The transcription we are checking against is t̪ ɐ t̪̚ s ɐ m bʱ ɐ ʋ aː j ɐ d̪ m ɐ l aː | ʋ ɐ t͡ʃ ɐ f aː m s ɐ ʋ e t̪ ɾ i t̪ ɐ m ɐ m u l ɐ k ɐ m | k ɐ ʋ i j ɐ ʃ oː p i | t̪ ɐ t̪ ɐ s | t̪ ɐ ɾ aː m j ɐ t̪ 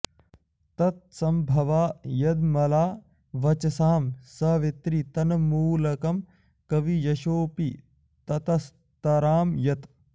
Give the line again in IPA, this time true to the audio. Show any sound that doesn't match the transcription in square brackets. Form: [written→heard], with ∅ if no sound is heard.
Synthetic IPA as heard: t̪ ɐ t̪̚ s ɐ m bʱ ɐ ʋ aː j ɐ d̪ m ɐ l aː | ʋ ɐ t͡ʃ ɐ [f→s] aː m s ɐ ʋ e t̪ ɾ i t̪ ɐ [m→n] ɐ m [u→uː] l ɐ k ɐ m | k ɐ ʋ i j ɐ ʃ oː p i | t̪ ɐ t̪ ɐ s | t̪ ɐ ɾ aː m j ɐ t̪